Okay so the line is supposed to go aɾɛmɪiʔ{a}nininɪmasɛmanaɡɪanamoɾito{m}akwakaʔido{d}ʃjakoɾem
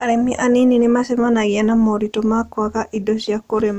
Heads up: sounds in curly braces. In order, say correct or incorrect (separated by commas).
correct, correct, incorrect